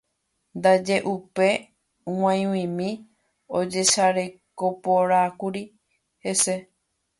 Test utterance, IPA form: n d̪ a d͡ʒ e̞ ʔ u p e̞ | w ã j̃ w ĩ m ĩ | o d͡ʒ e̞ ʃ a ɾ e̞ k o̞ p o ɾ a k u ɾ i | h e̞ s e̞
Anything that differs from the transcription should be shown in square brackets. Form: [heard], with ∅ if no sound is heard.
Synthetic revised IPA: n d̪ a d͡ʒ e̞ ʔ u p e̞ | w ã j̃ w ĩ m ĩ | o d͡ʒ e̞ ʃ a ɾ e̞ k o̞ p o ɾ a k u ɾ i | h e̞ s e̞